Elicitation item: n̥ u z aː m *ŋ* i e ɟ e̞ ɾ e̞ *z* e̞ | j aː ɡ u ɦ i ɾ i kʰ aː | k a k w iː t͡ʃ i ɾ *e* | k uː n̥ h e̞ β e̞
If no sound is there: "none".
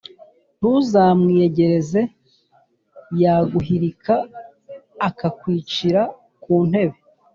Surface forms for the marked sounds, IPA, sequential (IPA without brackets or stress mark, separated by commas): ŋ, z, a